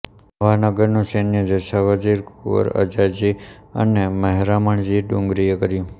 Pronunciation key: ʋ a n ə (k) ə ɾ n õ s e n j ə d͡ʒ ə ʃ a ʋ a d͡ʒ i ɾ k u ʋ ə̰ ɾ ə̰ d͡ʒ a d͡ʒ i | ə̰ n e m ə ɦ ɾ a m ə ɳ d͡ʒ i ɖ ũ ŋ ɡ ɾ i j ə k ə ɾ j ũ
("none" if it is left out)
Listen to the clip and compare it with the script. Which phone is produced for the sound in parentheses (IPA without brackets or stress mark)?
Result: ɡ